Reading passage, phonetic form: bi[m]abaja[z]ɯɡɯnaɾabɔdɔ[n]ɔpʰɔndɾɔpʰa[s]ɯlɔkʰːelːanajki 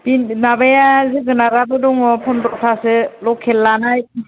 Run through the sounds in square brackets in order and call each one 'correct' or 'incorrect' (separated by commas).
incorrect, correct, incorrect, correct